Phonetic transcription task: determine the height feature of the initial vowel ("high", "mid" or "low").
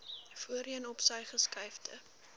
high